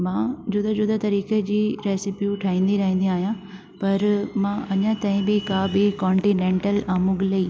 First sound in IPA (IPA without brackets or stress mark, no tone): m